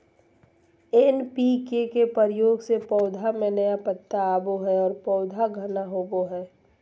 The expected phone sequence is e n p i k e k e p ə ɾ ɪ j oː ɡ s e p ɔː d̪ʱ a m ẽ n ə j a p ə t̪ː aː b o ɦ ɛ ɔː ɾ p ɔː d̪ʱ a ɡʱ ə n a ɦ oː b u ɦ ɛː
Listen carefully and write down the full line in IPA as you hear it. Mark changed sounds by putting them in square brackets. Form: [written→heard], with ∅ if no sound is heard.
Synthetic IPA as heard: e n p i k e k e p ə ɾ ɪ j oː ɡ s e p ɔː d̪ʱ a m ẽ n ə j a p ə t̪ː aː b o ɦ ɛ ɔː ɾ p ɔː d̪ʱ a ɡʱ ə n a ɦ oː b [u→o] ɦ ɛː

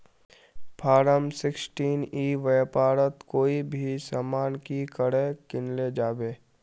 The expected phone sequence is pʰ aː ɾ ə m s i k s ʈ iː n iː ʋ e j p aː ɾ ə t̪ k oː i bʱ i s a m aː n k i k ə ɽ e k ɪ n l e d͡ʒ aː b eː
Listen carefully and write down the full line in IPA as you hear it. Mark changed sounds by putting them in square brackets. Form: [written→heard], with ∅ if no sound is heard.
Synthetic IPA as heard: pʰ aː ɾ ə m s [i→ɪ] k s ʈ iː n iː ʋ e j p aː ɾ ə t̪ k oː i bʱ i s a m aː n k i k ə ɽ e k ɪ n l e d͡ʒ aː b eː

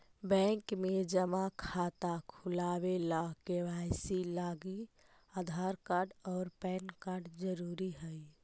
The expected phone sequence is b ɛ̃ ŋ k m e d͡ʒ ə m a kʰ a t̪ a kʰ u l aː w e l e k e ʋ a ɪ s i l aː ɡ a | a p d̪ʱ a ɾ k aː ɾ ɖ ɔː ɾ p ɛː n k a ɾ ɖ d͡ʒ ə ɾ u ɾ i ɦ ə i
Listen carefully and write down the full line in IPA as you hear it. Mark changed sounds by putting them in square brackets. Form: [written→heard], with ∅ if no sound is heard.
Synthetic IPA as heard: b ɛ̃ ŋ k m e d͡ʒ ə m a kʰ a t̪ a kʰ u l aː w e l [e→a] k e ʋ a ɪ s i l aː ɡ [a→i] | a [p→∅] d̪ʱ a ɾ k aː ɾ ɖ ɔː ɾ p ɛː n k a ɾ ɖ d͡ʒ ə ɾ u ɾ i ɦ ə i

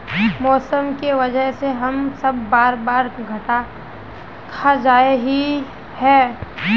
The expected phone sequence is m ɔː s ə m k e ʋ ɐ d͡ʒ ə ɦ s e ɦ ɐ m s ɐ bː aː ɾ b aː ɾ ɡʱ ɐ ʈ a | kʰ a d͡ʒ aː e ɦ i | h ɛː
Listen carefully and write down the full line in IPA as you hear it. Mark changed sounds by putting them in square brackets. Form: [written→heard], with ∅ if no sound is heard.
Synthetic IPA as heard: m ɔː s ə m k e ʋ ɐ d͡ʒ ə ɦ s e ɦ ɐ m s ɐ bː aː ɾ b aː ɾ ɡʱ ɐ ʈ a | kʰ a d͡ʒ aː e ɦ i | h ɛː

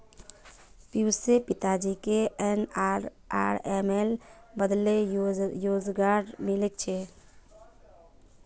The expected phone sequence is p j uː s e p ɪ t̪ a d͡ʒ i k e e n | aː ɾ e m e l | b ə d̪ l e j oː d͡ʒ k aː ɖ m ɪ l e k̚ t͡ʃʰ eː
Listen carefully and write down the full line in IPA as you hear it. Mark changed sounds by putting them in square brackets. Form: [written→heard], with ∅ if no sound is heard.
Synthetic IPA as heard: p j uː s e p ɪ t̪ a d͡ʒ i k e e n | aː ɾ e m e l | b ə d̪ l e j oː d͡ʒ [k→ɡ] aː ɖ m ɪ l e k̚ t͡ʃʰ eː

